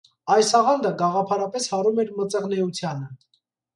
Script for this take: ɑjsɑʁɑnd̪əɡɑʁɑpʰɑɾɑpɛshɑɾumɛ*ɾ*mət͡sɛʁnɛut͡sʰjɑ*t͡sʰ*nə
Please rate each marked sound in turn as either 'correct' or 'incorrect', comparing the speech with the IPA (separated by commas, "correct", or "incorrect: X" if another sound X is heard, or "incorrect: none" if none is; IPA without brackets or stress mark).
correct, incorrect: none